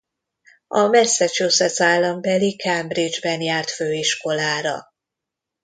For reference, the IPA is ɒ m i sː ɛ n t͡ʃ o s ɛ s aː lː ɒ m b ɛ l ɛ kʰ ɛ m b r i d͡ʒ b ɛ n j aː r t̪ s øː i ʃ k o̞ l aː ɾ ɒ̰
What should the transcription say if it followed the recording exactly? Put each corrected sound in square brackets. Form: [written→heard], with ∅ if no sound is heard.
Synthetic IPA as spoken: ɒ m [i→ɛ] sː ɛ [n→∅] t͡ʃ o s ɛ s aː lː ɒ m b ɛ l [ɛ→i] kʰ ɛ m b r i d͡ʒ b ɛ n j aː r t̪ [s→f] øː i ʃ k o̞ l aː ɾ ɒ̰